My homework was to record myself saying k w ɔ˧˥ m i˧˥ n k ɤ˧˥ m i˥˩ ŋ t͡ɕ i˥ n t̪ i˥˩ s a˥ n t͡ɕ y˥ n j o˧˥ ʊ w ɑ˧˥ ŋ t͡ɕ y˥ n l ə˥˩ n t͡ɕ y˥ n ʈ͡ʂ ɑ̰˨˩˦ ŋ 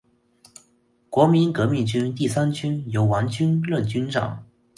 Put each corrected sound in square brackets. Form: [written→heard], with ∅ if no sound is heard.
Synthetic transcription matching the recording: k w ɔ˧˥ m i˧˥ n k ɤ˧˥ m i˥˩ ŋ t͡ɕ [i˥→y˥] n t̪ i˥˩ s a˥ n t͡ɕ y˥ n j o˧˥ ʊ w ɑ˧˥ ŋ t͡ɕ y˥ n l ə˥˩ n t͡ɕ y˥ n ʈ͡ʂ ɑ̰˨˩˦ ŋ